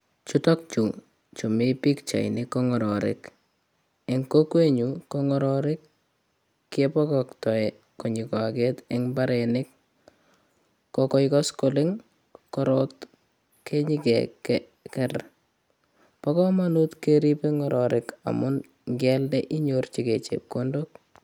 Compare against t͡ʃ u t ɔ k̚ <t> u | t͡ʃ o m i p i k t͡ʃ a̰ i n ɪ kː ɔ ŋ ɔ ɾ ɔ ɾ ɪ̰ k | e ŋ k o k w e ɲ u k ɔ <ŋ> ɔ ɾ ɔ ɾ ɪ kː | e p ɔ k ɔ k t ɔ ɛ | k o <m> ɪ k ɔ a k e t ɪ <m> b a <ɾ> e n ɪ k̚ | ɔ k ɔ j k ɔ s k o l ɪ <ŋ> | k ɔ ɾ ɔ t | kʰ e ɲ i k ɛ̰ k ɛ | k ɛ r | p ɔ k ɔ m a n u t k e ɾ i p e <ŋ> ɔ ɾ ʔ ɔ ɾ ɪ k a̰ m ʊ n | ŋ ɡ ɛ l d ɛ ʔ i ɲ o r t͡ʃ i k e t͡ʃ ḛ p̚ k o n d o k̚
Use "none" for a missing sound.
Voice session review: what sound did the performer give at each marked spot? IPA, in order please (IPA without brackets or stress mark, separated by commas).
t͡ʃ, ŋ, ɲ, ŋ, ɾ, ŋ, ŋ